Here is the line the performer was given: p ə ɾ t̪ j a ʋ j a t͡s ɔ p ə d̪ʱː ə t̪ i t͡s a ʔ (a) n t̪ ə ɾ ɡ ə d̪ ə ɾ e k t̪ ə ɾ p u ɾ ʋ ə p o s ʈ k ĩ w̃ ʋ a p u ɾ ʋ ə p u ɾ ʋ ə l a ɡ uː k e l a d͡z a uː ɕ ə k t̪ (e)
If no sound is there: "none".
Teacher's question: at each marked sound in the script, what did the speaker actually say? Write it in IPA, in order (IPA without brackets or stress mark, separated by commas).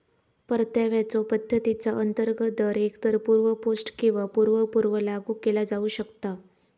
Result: ə, a